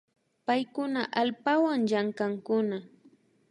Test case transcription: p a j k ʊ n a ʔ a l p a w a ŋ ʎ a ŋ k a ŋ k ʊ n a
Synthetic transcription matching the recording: p a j k ʊ n a ʔ a l p a w a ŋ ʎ a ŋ k a ŋ k ʊ n a